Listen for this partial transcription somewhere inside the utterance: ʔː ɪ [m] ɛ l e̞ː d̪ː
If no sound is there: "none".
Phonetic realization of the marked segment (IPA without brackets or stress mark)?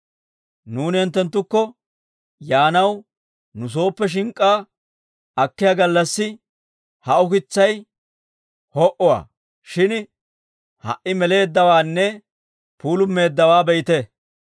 m